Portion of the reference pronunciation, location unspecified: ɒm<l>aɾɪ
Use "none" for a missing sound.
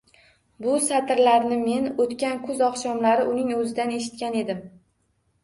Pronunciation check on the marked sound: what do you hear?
l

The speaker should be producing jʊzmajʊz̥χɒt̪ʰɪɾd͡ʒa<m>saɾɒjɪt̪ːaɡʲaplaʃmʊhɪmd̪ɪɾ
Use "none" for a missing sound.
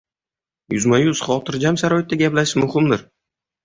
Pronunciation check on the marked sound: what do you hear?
m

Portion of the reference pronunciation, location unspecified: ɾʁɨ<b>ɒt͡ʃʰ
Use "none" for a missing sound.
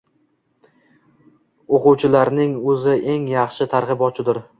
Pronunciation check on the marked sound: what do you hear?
b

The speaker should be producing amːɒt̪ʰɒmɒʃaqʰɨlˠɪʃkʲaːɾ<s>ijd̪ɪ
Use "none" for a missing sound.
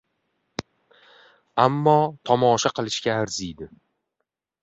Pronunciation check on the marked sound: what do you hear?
z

